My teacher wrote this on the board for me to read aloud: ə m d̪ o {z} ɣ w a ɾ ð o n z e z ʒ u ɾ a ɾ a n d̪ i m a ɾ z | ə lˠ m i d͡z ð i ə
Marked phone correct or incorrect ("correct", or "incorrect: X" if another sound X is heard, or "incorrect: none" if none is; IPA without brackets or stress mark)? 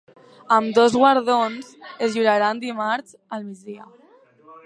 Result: correct